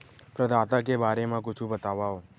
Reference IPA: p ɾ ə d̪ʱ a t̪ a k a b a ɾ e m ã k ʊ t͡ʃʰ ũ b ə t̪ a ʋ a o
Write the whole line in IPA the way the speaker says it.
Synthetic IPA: p ɾ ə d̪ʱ a t̪ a k e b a ɾ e m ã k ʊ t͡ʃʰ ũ b ə t̪ a ʋ a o

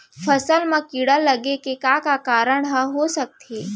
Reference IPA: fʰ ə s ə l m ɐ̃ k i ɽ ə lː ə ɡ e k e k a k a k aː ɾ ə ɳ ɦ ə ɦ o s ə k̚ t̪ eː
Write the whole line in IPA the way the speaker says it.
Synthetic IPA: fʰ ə s ə l m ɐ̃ k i ɽ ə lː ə ɡ e k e k a k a k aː ɾ ə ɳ ɦ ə ɦ o s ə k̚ t̪ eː

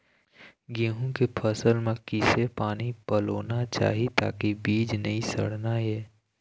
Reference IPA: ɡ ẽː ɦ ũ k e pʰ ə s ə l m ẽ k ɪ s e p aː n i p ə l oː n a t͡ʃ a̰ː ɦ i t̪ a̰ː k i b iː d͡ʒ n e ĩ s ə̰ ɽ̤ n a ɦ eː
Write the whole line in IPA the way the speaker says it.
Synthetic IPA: ɡ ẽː ɦ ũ k e pʰ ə s ə l m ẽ k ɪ s e p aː n i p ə l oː n a t͡ʃ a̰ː ɦ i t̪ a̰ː k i b iː d͡ʒ n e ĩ s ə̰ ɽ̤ n a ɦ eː

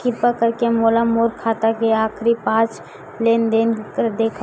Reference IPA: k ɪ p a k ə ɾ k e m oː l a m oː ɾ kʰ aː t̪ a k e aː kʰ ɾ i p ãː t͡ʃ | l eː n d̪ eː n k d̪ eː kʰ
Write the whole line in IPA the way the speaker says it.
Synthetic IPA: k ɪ p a k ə ɾ k e m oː l a m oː ɾ kʰ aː t̪ a k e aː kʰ ɾ i p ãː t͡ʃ | l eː n d̪ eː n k d̪ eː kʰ

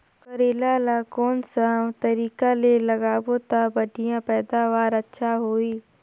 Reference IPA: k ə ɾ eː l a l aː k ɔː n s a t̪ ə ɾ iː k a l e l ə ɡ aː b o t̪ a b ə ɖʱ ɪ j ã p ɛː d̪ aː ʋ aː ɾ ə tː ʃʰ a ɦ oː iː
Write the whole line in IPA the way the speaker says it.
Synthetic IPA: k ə ɾ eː l a l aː k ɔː n s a t̪ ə ɾ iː k a l e l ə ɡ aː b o t̪ a b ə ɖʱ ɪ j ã p ɛː d̪ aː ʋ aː ɾ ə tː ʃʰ a ɦ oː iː

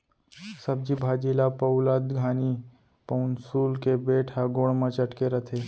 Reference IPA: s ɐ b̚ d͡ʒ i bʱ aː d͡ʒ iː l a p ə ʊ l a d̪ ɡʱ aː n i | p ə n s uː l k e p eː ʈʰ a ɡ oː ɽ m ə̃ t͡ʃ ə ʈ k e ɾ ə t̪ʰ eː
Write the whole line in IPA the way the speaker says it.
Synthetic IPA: s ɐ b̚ d͡ʒ i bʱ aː d͡ʒ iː l a p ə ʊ l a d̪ ɡʱ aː n i | p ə n s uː l k e b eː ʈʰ a ɡ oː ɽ m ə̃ t͡ʃ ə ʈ k e ɾ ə t̪ʰ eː

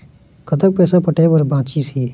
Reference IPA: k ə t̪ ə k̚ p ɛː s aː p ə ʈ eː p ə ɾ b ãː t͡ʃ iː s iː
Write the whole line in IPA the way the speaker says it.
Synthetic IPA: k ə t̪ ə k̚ p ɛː s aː p ə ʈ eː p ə ɾ b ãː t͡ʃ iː s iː

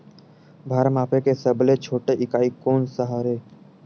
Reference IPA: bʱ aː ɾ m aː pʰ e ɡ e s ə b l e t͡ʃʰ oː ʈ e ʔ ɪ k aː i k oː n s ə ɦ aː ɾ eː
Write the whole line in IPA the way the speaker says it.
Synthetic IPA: bʱ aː ɾ m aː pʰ e k e s ə b l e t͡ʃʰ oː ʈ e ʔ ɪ k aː i k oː n s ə ɦ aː ɾ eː

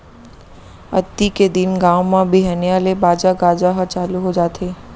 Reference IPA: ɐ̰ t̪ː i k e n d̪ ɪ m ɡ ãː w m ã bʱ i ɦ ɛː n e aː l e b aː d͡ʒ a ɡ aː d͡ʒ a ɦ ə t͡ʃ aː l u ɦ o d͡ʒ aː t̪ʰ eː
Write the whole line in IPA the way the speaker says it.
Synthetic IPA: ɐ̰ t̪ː i k e d̪ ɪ n ɡ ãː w m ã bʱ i ɦ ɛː n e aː l e b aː d͡ʒ a ɡ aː d͡ʒ a ɦ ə t͡ʃ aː l u ɦ o d͡ʒ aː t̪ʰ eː

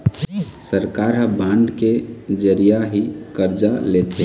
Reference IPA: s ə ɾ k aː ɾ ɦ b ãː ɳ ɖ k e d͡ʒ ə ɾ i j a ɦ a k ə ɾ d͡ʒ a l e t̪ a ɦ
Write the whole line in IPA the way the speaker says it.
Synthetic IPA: s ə ɾ k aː ɾ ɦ b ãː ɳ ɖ k e d͡ʒ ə ɾ i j a ɦ i k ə ɾ d͡ʒ a l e t̪ e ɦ

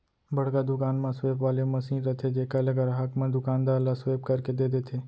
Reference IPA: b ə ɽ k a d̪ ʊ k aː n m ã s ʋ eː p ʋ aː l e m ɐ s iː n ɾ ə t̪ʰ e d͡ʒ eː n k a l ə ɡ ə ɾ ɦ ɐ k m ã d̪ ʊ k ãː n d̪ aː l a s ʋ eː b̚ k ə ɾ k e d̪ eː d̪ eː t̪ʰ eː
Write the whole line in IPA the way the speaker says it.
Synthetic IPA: b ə ɽ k a d̪ ʊ k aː n m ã s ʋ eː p ʋ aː l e m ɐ s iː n ɾ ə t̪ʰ e d͡ʒ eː k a l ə ɡ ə ɾ ɦ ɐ k m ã d̪ ʊ k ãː n d̪ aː l a s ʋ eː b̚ k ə ɾ k e d̪ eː d̪ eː t̪ʰ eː

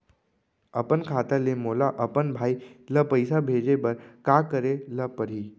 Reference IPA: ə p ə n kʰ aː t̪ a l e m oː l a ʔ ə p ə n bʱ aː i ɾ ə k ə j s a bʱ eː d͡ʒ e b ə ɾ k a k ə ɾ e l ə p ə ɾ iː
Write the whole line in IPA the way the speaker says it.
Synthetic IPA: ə p ə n kʰ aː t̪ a l e m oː l a ʔ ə p ə n bʱ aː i l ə p ə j s a bʱ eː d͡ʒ e b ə ɾ k a k ə ɾ e l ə p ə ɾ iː

